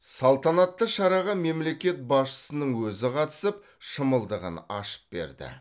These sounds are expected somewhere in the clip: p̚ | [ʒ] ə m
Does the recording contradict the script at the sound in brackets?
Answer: yes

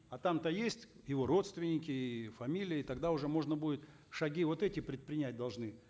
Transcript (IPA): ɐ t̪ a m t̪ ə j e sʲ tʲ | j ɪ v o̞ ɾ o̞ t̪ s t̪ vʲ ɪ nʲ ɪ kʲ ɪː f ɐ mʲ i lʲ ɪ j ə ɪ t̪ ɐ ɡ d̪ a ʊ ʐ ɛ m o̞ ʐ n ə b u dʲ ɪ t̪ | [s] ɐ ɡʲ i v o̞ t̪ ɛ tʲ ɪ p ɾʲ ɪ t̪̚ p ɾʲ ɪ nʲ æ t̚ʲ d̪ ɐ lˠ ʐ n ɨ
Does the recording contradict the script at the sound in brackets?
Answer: yes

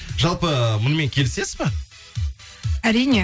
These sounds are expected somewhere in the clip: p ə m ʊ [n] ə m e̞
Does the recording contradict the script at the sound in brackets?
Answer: no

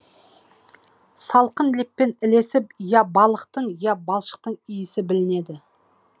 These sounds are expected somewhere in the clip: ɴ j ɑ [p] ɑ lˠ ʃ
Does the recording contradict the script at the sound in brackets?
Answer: yes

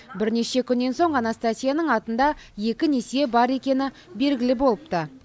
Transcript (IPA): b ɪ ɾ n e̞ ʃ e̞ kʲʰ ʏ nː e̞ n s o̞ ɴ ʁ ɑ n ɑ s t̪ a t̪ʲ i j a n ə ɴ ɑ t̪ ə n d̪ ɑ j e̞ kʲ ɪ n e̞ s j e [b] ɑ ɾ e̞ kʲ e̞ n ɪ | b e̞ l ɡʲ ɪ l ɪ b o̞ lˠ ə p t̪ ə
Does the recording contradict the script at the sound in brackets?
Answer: no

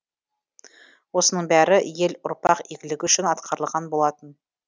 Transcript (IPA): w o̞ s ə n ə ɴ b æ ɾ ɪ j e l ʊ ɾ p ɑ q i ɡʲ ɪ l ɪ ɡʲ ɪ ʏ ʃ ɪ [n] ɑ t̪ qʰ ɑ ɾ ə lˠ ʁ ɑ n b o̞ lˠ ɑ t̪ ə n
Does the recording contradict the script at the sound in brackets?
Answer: no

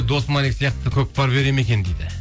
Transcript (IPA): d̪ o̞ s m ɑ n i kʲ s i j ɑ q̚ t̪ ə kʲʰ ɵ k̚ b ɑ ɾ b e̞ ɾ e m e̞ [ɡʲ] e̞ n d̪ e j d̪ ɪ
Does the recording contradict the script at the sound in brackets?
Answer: yes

